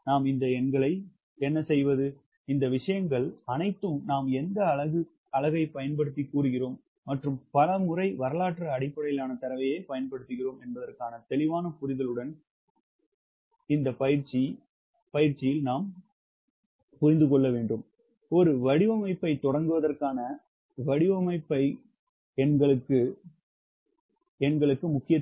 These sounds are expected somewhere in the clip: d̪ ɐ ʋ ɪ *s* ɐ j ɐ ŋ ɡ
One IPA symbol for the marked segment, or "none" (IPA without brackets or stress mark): ʂ